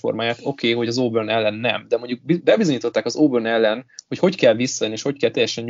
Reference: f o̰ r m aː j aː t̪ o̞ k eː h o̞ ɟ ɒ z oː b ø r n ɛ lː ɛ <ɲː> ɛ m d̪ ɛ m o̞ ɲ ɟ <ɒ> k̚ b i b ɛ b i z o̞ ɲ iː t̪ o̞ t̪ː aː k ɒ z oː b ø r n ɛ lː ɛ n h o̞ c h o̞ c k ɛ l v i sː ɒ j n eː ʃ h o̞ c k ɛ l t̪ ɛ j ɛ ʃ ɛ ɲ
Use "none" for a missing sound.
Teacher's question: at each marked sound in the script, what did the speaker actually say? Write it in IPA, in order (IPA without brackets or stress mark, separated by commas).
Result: nː, u